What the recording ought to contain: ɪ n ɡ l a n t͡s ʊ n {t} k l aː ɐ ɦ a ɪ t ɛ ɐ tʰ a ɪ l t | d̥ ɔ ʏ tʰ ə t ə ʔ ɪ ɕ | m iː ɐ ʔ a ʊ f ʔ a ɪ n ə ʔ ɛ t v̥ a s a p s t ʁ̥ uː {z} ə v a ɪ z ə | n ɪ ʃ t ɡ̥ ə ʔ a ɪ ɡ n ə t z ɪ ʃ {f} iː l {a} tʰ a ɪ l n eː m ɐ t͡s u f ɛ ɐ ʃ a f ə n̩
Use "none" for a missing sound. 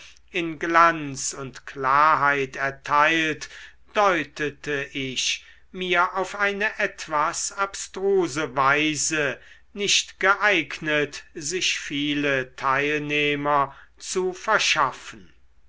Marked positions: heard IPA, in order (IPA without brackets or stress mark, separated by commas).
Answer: t, z, f, ə